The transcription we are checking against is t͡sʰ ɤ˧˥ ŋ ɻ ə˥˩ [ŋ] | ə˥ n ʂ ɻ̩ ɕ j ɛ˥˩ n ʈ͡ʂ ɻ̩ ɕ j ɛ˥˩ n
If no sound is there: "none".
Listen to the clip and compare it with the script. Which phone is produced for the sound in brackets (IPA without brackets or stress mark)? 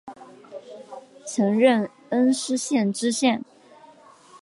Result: n